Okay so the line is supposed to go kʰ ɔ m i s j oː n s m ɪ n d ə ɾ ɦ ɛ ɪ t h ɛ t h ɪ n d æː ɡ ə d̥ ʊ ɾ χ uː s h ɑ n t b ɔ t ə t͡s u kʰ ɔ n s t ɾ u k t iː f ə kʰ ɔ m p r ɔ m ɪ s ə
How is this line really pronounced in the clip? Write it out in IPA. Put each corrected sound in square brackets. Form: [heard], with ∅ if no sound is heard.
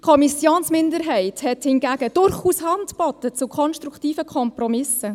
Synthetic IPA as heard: kʰ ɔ m i s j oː n s m ɪ n d ə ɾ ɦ ɛ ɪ t h ɛ t h ɪ n [ɡ] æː ɡ ə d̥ ʊ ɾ χ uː s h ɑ n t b ɔ t ə t͡s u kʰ ɔ n [ʃ] t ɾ u k t iː f ə kʰ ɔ m p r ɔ m ɪ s ə